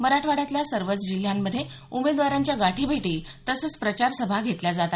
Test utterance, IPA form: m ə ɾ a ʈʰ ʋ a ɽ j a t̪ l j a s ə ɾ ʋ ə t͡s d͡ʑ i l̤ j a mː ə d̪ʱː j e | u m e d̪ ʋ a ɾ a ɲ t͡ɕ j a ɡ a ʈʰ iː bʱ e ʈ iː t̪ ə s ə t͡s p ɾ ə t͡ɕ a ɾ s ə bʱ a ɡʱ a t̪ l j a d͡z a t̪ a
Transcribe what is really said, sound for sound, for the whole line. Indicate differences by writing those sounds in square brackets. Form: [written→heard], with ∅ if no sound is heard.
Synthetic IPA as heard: m ə ɾ a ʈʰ ʋ a ɽ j a t̪ l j a s ə ɾ ʋ ə t͡s d͡ʑ i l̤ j a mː ə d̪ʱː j e | u m e d̪ ʋ a ɾ a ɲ t͡ɕ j a ɡ a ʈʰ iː bʱ e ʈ iː t̪ ə s ə t͡s p ɾ ə t͡ɕ a ɾ s ə bʱ a ɡʱ [a→e] t̪ l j a d͡z a t̪ a

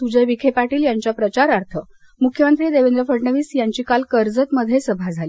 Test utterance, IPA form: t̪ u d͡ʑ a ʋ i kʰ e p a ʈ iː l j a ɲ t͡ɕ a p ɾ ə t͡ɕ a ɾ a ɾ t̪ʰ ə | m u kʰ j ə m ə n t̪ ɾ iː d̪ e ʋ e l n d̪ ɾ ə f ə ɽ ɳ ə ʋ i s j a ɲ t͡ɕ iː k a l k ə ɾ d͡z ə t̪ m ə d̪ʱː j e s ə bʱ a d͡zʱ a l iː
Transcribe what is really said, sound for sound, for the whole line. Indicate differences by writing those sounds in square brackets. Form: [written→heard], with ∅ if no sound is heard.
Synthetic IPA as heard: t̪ u d͡ʑ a ʋ i kʰ e p a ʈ iː l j a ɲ t͡ɕ a p ɾ ə t͡ɕ a ɾ a ɾ t̪ʰ ə | m u kʰ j ə m ə n t̪ ɾ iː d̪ e ʋ e [l→∅] n d̪ ɾ ə f ə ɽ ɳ ə ʋ [i→iː] s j a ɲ t͡ɕ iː k a l k ə ɾ d͡z ə t̪ m ə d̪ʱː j e s ə bʱ a d͡zʱ a l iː

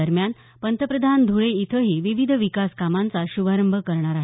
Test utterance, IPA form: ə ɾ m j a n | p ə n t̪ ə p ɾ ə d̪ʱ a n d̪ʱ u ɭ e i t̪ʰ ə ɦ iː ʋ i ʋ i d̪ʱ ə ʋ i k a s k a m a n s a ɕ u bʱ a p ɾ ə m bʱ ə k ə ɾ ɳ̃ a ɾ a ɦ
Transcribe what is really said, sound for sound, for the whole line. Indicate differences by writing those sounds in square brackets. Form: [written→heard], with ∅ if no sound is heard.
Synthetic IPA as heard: ə ɾ m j a n | p ə n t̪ ə p ɾ ə d̪ʱ a n d̪ʱ u ɭ e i t̪ʰ ə ɦ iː ʋ i ʋ i d̪ʱ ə ʋ i k a s k a m a n [s→t͡s] a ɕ u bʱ a [p→∅] ɾ ə m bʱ ə k ə ɾ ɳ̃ a ɾ a ɦ

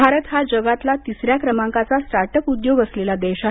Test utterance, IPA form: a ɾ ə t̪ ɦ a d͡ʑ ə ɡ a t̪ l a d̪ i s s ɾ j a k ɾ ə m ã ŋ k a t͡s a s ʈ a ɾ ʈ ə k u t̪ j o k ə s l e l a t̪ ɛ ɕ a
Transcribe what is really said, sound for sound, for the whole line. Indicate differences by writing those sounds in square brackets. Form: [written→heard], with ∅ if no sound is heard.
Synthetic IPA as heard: a ɾ ə t̪ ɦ a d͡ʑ ə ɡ a t̪ l a [d̪→t̪] i s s ɾ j a k ɾ ə m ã ŋ k a t͡s a s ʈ a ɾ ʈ ə k u [t̪→d̪] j o [k→ɡ] ə s l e l a [t̪→d̪] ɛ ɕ a

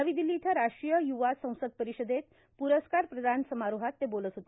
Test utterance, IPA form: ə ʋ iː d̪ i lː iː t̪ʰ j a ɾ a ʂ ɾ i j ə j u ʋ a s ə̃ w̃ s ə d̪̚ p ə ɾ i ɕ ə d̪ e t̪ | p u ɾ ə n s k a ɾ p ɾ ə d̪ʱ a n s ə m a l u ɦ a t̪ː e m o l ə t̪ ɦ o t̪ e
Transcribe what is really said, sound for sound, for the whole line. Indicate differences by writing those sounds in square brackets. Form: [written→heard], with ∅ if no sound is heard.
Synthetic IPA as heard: ə ʋ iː d̪ i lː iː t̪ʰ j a ɾ a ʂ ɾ i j ə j u ʋ a s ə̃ w̃ s ə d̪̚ p ə ɾ i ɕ ə d̪ e t̪ | p u ɾ ə [n→∅] s k a ɾ p ɾ ə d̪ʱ a n s ə m a [l→ɾ] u ɦ a t̪ː e [m→b] o l ə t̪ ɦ o t̪ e

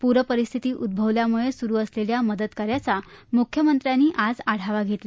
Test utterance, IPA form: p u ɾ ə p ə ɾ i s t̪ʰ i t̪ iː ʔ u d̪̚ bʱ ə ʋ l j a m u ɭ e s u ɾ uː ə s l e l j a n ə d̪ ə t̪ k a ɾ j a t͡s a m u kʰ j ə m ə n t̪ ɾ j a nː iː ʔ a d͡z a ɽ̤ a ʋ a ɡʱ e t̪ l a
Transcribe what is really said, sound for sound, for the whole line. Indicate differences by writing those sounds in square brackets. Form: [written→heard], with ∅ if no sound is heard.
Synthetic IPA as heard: p u ɾ ə p ə ɾ i s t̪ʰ i t̪ iː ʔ u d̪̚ bʱ ə ʋ l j a m u ɭ e s u ɾ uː ə s l e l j a [n→m] ə d̪ ə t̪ k a ɾ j a t͡s a m u kʰ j ə m ə n t̪ ɾ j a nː iː ʔ a d͡z a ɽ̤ a ʋ a ɡʱ e t̪ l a

